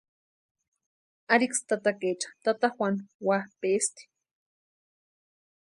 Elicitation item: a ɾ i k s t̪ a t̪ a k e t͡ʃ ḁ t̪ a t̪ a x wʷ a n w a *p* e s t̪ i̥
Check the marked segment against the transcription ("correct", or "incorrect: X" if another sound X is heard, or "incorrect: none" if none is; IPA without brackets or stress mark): correct